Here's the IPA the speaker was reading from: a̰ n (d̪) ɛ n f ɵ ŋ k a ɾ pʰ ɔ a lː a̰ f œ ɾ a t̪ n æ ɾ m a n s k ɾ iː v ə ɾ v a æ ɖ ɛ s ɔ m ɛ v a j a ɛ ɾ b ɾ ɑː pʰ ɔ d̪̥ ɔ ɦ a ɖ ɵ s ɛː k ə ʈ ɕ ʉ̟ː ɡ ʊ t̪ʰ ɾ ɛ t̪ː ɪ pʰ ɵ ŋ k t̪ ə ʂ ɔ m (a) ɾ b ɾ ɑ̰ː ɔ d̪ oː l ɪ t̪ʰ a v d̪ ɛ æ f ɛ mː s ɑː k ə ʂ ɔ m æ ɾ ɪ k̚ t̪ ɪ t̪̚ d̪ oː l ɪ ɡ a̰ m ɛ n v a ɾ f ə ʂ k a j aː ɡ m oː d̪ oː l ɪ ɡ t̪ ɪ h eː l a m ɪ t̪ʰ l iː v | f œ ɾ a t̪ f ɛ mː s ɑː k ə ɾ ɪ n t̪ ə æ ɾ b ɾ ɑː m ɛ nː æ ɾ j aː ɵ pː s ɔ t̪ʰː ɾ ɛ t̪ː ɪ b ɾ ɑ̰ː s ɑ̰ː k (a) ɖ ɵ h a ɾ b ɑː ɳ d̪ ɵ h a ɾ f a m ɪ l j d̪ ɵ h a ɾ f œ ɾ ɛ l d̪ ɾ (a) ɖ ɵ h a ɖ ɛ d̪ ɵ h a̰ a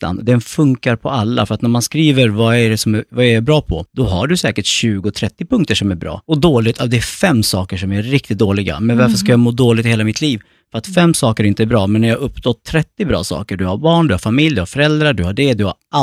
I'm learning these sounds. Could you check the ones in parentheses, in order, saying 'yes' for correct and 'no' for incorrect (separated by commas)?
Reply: yes, no, no, yes